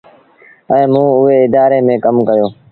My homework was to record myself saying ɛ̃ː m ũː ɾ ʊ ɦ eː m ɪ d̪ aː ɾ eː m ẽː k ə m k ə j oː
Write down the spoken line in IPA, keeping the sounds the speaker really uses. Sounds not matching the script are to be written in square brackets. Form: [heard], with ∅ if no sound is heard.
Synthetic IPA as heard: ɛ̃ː m ũː [∅] ʊ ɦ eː [∅] ɪ d̪ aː ɾ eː m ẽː k ə m k ə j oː